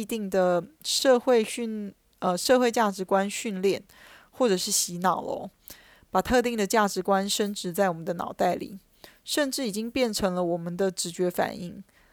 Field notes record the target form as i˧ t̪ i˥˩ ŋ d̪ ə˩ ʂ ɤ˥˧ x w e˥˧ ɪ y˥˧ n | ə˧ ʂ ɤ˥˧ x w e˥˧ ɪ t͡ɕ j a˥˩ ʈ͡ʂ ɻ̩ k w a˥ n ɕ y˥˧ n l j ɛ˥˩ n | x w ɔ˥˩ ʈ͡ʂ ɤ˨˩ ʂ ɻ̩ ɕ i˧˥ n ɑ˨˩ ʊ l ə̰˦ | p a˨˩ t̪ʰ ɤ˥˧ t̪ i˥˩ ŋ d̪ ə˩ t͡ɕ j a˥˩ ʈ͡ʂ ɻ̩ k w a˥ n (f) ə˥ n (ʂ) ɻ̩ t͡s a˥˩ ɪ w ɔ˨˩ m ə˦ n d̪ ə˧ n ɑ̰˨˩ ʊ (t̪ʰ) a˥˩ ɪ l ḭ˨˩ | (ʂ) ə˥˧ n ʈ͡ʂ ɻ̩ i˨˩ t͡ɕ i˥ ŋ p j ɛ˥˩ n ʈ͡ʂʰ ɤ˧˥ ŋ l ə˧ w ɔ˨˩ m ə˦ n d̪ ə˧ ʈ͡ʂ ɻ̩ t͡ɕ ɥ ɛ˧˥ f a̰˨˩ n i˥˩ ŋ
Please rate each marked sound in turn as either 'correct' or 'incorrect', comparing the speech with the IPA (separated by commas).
incorrect, incorrect, incorrect, correct